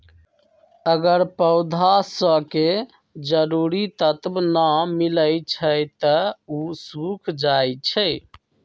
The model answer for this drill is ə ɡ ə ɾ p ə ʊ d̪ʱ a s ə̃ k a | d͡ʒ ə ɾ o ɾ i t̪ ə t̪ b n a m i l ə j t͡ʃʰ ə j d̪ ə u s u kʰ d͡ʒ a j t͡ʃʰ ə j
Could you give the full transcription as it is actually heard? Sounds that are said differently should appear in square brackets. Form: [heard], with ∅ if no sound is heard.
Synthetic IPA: ə ɡ ə ɾ p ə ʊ d̪ʱ a s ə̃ k [e] | d͡ʒ ə ɾ [u] ɾ i t̪ ə t̪ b n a m i l ə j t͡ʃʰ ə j [t̪] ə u s u kʰ d͡ʒ a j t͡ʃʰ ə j